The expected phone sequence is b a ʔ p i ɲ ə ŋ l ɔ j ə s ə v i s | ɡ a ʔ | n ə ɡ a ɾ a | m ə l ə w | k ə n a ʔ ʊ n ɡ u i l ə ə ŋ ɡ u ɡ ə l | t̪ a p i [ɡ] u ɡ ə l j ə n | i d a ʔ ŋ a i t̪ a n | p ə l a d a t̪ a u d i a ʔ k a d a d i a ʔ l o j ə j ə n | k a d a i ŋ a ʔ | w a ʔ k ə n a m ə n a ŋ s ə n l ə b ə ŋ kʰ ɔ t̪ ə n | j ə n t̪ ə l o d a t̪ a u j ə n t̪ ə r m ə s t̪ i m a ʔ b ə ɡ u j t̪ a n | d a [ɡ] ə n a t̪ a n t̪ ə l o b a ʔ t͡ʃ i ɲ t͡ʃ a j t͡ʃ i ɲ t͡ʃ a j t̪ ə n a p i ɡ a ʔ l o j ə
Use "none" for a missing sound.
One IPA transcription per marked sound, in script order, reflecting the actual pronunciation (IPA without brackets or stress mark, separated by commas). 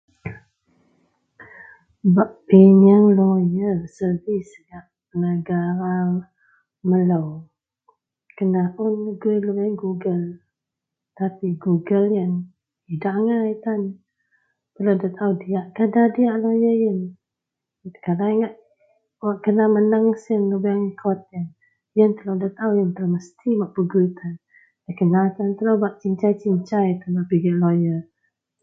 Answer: ɡ, k